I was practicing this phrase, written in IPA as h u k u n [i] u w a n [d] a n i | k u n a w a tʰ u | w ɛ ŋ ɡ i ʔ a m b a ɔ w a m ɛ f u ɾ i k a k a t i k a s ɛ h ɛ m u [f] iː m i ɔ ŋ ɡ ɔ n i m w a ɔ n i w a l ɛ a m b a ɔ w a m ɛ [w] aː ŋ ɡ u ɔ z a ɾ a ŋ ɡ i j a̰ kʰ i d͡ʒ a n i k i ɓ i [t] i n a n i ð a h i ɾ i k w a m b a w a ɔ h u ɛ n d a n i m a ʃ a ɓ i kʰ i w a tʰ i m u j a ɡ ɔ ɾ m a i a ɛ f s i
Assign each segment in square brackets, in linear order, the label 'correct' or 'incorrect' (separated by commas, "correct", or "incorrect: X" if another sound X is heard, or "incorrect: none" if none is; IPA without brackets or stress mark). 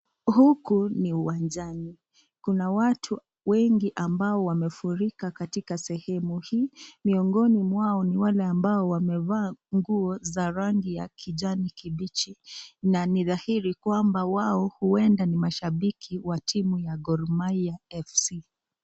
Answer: correct, incorrect: d͡ʒ, incorrect: h, incorrect: v, incorrect: t͡ʃ